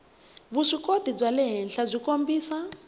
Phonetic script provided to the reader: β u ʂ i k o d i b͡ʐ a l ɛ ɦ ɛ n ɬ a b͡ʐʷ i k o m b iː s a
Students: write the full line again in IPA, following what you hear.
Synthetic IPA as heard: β u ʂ i k o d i b͡ʐ a l ɛ ɦ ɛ n ɬ a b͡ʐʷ i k o m b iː s a